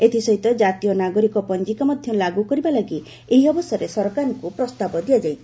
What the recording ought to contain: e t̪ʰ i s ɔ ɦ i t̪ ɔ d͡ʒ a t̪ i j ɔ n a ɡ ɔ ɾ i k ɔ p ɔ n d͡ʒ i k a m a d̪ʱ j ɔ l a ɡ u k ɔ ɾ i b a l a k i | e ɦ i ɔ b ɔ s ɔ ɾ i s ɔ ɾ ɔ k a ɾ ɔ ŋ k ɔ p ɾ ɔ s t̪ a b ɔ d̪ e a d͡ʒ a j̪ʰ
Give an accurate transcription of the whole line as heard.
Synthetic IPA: e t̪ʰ i s ɔ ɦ i t̪ ɔ d͡ʒ a t̪ i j ɔ n a ɡ ɔ ɾ i k ɔ p ɔ n d͡ʒ i k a m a d̪ʱ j ɔ l a ɡ u k ɔ ɾ i b a l a ɡ i | e ɦ i ɔ b ɔ s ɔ ɾ e s ɔ ɾ ɔ k a ɾ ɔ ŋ k u p ɾ ɔ s t̪ a b ɔ d̪ i a d͡ʒ a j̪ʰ